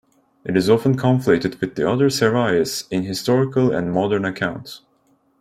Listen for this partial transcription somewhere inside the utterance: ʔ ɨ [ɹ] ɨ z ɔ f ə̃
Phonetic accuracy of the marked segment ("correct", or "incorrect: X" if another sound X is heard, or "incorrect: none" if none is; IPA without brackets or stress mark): incorrect: ɾ